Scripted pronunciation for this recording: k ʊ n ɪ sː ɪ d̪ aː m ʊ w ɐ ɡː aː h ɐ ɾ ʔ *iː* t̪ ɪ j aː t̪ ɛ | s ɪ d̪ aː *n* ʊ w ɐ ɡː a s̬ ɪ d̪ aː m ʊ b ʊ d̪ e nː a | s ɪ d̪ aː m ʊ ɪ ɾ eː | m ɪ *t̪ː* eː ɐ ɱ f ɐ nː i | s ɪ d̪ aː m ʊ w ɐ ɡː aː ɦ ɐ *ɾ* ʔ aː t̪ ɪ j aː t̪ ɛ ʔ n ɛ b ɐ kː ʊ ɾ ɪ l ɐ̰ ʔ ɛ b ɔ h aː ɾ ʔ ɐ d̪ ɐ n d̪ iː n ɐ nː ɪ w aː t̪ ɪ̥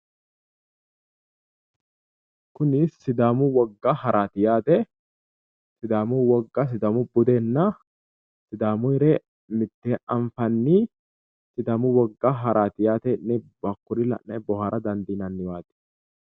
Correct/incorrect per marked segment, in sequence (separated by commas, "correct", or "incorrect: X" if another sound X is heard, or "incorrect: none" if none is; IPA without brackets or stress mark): incorrect: aː, incorrect: m, correct, correct